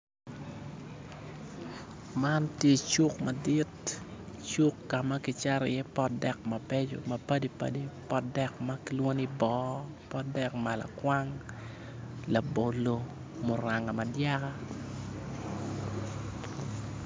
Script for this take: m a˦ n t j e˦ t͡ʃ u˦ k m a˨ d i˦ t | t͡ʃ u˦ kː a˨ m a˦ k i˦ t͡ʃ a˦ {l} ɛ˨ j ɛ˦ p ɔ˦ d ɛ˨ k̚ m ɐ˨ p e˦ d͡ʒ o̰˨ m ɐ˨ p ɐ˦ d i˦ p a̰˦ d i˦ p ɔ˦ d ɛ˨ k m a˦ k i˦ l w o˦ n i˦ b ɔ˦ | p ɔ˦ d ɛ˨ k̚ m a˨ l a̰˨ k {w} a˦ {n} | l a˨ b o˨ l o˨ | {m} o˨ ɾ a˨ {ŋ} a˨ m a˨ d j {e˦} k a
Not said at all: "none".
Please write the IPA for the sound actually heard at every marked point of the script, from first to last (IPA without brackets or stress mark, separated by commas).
ɾ, w, ŋ, m, ŋ, a˦